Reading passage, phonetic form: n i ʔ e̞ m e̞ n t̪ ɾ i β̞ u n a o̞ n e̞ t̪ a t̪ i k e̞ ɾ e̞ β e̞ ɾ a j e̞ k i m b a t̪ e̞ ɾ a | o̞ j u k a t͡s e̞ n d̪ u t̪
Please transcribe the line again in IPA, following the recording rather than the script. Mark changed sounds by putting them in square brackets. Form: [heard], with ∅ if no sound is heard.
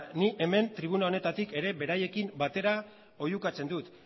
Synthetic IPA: n i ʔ e̞ m e̞ n t̪ ɾ i β̞ u n a o̞ n e̞ t̪ a t̪ i k e̞ ɾ e̞ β e̞ ɾ a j e̞ k i m b a t̪ e̞ ɾ a | o̞ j u k a t͡s e̞ n d̪ u t̪